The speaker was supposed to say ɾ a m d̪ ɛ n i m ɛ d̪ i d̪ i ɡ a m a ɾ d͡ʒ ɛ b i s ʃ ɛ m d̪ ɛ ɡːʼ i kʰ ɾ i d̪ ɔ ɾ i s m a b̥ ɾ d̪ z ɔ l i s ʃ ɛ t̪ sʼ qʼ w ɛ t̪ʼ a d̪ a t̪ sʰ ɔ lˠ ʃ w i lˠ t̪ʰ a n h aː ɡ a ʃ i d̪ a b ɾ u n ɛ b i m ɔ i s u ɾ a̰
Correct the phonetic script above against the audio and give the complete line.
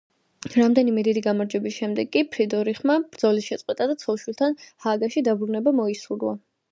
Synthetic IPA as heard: ɾ a m d̪ ɛ n i m ɛ d̪ i d̪ i ɡ a m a ɾ d͡ʒ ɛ b i s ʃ ɛ m d̪ ɛ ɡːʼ i pʰ ɾ i d̪ ɔ ɾ i χ m a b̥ ɾ d̪ z ɔ l i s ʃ ɛ t̪ sʼ qʼ w ɛ t̪ʼ a d̪ a t̪ sʰ ɔ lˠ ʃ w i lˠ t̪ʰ a n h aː ɡ a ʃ i d̪ a b ɾ u n ɛ b a m ɔ i s u ɾ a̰